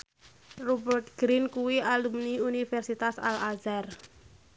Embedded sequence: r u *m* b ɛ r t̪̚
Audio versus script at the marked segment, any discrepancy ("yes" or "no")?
yes